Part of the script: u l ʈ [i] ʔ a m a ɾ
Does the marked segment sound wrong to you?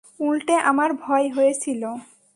yes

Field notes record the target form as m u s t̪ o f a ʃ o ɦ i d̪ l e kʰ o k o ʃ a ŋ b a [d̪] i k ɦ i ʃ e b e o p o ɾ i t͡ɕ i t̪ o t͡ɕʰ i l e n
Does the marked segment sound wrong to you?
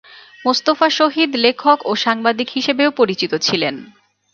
no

